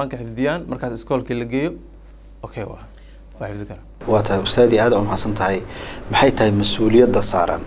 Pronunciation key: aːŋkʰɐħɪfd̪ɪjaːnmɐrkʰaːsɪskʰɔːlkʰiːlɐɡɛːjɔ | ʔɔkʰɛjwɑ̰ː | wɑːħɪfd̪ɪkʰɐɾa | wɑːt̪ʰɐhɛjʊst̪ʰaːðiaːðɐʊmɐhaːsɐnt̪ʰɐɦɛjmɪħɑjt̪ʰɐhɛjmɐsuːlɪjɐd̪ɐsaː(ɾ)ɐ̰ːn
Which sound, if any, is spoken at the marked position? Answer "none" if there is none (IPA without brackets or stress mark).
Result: ɾ